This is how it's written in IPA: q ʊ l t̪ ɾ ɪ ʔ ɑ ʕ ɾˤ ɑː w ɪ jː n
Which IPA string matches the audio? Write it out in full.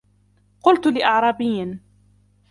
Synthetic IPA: q ʊ l t̪ l ɪ ʔ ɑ ʕ ɾˤ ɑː b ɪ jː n